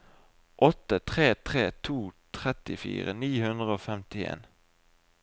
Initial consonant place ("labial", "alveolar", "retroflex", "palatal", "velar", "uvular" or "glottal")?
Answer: glottal